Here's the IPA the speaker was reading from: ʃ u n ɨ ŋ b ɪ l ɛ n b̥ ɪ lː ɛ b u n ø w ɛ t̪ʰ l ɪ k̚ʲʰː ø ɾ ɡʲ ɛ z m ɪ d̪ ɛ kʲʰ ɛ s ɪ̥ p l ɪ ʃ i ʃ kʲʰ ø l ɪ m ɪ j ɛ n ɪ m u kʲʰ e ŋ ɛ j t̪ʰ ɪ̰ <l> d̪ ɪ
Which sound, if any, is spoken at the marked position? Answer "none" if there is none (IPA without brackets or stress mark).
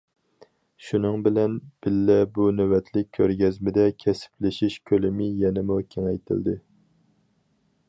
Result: l